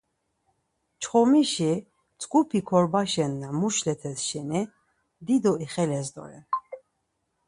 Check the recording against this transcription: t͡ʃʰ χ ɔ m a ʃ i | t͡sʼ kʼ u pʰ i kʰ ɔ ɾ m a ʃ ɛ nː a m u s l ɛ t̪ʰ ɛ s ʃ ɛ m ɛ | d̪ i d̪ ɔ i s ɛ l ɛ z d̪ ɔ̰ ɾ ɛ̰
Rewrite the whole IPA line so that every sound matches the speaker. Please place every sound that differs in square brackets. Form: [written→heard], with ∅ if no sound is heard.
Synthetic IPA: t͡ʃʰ χ ɔ m [a→i] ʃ i | t͡sʼ kʼ u pʰ i kʰ ɔ ɾ [m→b] a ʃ ɛ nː a m u [s→ʃ] l ɛ t̪ʰ ɛ s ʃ ɛ [m→n] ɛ | d̪ i d̪ ɔ i [s→χ] ɛ l ɛ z d̪ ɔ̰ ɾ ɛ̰